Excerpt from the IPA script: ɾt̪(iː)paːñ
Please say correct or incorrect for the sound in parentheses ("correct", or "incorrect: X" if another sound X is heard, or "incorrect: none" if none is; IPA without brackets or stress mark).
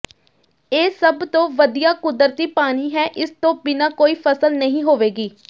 correct